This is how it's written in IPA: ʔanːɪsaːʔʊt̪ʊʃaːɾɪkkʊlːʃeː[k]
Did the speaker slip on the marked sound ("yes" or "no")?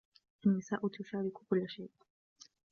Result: yes